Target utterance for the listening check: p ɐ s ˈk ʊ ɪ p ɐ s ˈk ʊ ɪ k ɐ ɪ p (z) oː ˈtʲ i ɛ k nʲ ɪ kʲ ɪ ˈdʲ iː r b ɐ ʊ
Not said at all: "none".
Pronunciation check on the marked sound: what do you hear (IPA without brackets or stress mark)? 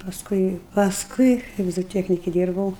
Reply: z